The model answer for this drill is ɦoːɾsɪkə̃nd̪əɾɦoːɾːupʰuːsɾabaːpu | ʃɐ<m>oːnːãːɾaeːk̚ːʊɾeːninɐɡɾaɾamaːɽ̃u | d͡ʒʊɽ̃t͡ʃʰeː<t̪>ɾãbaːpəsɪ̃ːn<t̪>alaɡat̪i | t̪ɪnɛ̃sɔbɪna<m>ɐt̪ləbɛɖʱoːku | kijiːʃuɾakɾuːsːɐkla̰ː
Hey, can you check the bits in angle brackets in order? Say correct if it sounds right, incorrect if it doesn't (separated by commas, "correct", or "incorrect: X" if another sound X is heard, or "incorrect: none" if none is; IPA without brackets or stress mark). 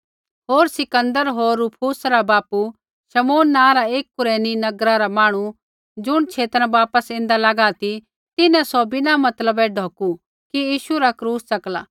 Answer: correct, correct, incorrect: d̪, correct